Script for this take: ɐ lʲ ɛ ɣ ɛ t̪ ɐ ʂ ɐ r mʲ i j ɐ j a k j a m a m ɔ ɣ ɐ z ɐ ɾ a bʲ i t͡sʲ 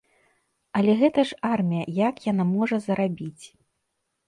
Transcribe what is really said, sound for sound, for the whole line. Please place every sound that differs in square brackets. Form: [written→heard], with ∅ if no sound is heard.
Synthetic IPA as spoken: ɐ lʲ ɛ ɣ ɛ t̪ ɐ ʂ [ɐ→a] r mʲ i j ɐ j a k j a [m→n] a m ɔ [ɣ→ʐ] ɐ z ɐ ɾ a bʲ i t͡sʲ